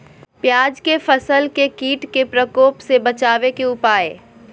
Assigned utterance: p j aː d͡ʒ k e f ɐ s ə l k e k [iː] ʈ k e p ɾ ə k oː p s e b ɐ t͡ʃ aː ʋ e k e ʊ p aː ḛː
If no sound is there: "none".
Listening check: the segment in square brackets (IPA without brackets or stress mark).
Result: iː